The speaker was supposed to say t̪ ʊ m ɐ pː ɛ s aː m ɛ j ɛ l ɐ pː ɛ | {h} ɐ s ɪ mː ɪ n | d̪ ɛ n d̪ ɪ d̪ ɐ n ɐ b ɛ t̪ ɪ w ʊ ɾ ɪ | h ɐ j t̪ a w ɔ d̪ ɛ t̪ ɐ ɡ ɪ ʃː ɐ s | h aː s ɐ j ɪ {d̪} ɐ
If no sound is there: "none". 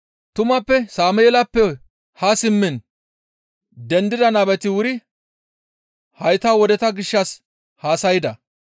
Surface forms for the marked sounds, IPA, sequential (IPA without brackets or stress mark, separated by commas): h, d̪